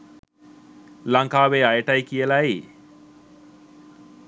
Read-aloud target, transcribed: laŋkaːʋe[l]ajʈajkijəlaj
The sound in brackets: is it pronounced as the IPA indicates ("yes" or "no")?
no